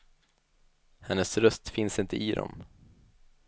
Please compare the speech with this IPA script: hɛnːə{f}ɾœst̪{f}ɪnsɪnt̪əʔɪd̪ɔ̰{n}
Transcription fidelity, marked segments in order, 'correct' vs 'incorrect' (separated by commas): incorrect, correct, incorrect